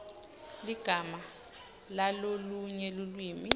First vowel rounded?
no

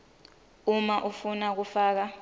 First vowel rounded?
yes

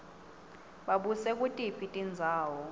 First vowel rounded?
no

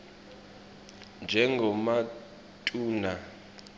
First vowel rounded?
no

